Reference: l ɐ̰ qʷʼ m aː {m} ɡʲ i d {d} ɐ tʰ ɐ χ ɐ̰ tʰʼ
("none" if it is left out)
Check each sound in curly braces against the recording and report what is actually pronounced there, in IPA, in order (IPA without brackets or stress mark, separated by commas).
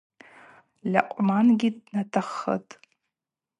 n, n